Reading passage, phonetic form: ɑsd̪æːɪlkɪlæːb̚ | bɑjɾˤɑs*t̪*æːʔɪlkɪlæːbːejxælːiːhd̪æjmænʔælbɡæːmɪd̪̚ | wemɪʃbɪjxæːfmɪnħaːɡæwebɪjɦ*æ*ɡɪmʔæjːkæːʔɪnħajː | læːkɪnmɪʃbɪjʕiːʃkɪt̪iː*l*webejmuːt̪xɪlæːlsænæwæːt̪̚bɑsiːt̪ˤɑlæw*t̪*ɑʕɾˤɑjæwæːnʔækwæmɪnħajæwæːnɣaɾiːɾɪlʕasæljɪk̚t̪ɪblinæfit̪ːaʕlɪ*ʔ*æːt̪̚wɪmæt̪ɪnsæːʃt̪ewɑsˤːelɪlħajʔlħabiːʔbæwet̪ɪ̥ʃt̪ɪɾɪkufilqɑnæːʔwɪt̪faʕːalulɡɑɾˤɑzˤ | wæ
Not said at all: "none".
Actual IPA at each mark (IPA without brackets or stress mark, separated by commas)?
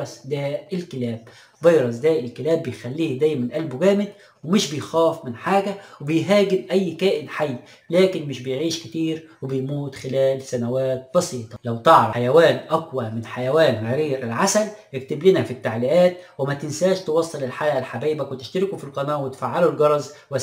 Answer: d̪, æː, ɾ, t̪, ʔ